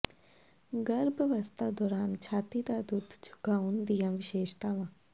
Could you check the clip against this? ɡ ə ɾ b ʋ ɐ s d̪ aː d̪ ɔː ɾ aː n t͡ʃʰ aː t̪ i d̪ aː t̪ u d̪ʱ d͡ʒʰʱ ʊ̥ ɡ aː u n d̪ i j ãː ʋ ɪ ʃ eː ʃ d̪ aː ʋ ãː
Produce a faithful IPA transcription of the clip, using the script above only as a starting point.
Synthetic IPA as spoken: ɡ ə ɾ b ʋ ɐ s t̪ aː d̪ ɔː ɾ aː n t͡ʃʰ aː t̪ i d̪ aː d̪ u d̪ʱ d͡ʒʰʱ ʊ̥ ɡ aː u n d̪ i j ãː ʋ ɪ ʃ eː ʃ t̪ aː ʋ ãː

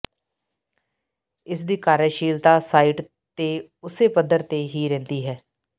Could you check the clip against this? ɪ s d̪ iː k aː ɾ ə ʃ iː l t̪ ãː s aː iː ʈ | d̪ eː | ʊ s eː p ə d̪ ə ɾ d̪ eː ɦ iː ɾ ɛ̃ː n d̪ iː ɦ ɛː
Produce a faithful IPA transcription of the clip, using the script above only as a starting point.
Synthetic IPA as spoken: ɪ s d̪ iː k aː ɾ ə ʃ iː l t̪ aː s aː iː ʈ | t̪ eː | ʊ s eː p ə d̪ ə ɾ t̪ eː ɦ iː ɾ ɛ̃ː n d̪ iː ɦ ɛː

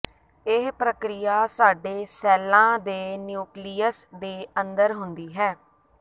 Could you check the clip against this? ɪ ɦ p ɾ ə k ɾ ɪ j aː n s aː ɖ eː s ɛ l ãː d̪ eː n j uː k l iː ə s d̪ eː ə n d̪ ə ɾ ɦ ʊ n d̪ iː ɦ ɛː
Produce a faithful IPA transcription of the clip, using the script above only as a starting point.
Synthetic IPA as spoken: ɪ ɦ p ɾ ə k ɾ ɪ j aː s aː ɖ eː s ɛː l ãː d̪ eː n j uː k l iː ə s d̪ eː ə n d̪ ə ɾ ɦ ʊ n d̪ iː ɦ ɛː

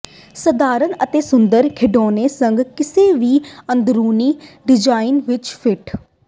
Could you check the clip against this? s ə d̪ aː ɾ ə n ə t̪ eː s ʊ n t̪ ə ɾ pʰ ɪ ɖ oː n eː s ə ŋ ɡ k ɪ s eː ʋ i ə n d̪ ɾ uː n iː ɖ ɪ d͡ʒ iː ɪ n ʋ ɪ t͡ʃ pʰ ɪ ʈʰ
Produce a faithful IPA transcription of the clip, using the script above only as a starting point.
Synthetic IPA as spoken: s ə d̪ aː ɾ ə n ə t̪ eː s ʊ n d̪ ə ɾ kʰ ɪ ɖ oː n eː s ə ŋ ɡ k ɪ s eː ʋ iː ə n d̪ ɾ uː n iː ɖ ɪ d͡ʒ aː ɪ n ʋ ɪ t͡ʃ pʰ ɪ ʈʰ

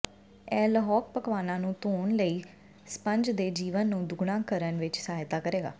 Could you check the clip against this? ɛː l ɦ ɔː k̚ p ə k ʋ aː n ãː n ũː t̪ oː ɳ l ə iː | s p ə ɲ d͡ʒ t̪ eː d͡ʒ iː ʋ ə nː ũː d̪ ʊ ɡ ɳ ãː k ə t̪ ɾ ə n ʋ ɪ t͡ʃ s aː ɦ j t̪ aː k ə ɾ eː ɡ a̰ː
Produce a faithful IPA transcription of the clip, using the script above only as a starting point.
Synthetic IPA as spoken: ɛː l ɦ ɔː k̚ p ə k ʋ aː n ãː n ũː t̪ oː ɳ l ə iː | s p ə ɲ d͡ʒ d̪ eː d͡ʒ iː ʋ ə nː ũː d̪ ʊ ɡ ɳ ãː k ə ɾ ə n ʋ ɪ t͡ʃ s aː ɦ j t̪ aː k ə ɾ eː ɡ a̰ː

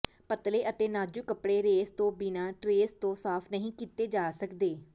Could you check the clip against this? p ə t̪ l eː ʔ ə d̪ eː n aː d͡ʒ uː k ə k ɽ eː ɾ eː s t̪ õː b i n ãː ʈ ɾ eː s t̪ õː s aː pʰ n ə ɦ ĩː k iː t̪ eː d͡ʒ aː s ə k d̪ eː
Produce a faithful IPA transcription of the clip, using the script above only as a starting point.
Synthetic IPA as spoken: p ə t̪ l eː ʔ ə t̪ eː n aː d͡ʒ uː k ə p ɽ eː ɾ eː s t̪ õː b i n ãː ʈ ɾ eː s t̪ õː s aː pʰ n ə ɦ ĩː k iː t̪ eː d͡ʒ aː s ə k d̪ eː

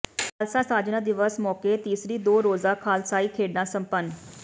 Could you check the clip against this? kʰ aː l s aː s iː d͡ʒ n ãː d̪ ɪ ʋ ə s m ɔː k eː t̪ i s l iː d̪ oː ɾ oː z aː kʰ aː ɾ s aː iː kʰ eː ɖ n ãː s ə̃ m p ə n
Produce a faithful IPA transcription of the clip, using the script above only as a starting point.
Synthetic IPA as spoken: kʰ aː l s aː s aː d͡ʒ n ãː d̪ ɪ ʋ ə s m ɔː k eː t̪ iː s ɾ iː d̪ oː ɾ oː z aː kʰ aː l s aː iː kʰ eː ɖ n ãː s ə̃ m p ə n

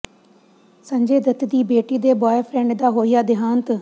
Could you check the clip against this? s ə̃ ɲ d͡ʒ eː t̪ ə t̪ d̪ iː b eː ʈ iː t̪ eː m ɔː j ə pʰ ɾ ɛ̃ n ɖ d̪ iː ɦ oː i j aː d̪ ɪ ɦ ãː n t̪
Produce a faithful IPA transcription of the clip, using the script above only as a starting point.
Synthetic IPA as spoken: s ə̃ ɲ d͡ʒ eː d̪ ə t̪ d̪ iː b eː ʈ iː d̪ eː b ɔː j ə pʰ ɾ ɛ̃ ɳ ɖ d̪ aː ɦ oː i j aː d̪ ɪ ɦ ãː n t̪

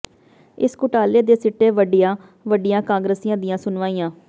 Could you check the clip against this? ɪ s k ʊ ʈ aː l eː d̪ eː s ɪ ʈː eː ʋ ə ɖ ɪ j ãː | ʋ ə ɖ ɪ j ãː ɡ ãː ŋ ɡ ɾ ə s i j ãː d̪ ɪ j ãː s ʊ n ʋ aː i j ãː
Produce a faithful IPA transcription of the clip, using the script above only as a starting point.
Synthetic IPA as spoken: ɪ s k ʊ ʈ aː l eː d̪ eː s ɪ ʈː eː ʋ ə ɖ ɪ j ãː | ʋ ə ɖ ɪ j ãː k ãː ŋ ɡ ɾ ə s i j ãː d̪ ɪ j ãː s ʊ n ʋ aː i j ãː

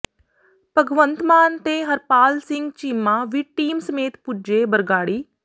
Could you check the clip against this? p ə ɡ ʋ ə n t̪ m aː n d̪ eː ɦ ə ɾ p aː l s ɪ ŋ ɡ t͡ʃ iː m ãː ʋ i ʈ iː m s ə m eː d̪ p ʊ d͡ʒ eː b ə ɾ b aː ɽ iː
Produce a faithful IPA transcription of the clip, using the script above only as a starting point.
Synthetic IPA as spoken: p ə ɡ ʋ ə n t̪ m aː n t̪ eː ɦ ə ɾ p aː l s ɪ ŋ ɡ t͡ʃ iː m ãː ʋ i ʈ iː m s ə m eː t̪ p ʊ d͡ʒ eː b ə ɾ ɡ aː ɽ iː

